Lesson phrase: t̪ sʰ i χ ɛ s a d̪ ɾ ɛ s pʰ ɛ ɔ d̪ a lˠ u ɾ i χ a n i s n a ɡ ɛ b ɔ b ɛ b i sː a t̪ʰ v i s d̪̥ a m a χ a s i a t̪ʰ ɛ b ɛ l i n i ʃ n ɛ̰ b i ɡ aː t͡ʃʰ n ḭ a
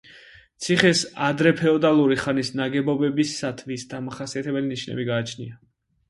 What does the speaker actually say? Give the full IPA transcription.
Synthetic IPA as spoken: t̪ sʰ i χ ɛ s a d̪ ɾ ɛ pʰ ɛ ɔ d̪ a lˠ u ɾ i χ a n i s n a ɡ ɛ b ɔ b ɛ b i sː a t̪ʰ v i s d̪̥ a m a χ a s i a t̪ʰ ɛ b ɛ l i n i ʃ n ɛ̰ b i ɡ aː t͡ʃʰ n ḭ a